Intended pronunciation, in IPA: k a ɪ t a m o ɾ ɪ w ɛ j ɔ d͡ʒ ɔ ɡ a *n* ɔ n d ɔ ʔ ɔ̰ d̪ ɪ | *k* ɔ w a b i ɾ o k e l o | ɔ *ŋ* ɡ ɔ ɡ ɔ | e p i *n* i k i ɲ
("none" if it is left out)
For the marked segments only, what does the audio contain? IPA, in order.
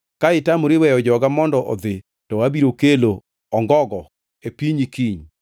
m, t, ŋ, ɲ

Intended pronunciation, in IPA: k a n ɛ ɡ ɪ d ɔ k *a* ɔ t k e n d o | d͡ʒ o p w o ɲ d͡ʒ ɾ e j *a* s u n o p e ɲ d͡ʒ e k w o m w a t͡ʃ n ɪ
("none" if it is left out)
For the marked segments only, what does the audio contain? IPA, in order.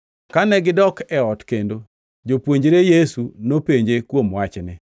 ɛ, e

